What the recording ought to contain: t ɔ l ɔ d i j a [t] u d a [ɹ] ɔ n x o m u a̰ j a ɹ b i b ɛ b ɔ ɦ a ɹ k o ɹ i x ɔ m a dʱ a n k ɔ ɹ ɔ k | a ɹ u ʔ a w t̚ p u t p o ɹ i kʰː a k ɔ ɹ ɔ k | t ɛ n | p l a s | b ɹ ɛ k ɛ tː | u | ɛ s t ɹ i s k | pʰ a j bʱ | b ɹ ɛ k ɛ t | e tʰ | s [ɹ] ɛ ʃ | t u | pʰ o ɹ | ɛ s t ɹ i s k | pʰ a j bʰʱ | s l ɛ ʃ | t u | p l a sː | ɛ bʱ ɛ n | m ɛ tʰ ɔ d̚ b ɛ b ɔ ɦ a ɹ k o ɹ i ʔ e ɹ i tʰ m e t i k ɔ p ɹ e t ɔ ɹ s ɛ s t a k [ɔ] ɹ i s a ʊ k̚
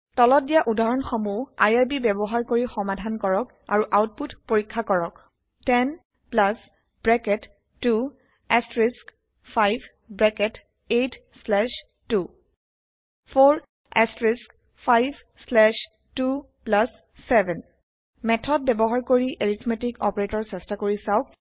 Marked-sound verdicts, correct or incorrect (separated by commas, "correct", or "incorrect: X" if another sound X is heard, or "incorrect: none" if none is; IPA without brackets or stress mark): incorrect: ʔ, correct, incorrect: l, incorrect: o